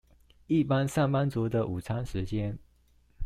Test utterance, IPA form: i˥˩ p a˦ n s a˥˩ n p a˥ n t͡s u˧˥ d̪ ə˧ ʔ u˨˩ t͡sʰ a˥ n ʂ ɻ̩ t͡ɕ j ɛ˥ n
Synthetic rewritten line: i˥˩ p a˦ n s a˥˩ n p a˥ n t͡s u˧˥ d̪ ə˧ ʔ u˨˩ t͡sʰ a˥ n ʂ ɻ̩ t͡ɕ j ɛ˥ n